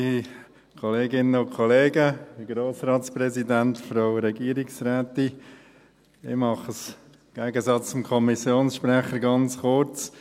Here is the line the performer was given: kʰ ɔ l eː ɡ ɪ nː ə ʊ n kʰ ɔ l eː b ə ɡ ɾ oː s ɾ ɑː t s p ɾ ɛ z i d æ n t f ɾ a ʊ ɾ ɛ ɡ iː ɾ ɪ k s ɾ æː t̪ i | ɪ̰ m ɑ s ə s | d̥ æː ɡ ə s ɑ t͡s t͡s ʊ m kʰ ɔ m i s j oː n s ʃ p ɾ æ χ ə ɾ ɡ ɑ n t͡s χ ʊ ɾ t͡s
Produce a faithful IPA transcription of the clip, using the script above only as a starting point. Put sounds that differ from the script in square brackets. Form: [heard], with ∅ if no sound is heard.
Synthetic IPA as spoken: kʰ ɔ l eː ɡ ɪ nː ə ʊ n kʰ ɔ l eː [ɡ] ə ɡ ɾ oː s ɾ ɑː t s p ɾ ɛ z i d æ n t f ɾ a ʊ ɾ ɛ ɡ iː ɾ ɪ k s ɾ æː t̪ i | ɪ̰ m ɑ [χ] ə s | [ɡ̥] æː ɡ ə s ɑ t͡s t͡s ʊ m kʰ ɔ m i s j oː n s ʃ p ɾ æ χ ə ɾ ɡ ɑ n t͡s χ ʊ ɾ t͡s